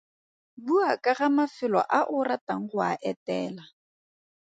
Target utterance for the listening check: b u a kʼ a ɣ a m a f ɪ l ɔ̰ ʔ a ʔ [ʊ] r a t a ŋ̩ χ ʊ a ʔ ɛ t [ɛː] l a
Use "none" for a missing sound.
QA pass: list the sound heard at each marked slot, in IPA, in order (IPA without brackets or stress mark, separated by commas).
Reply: ʊ, ɛː